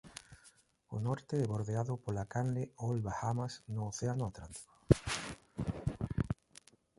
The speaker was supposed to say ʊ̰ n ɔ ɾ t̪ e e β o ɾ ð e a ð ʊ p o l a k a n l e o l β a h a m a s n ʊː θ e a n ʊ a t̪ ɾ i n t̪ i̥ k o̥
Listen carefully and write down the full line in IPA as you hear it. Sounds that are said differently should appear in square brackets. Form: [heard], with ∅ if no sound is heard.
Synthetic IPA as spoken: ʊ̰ n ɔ ɾ t̪ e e β o ɾ ð e a ð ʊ p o l a k a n l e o l β a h a m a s n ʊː θ e a n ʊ a t̪ ɾ [a] n t̪ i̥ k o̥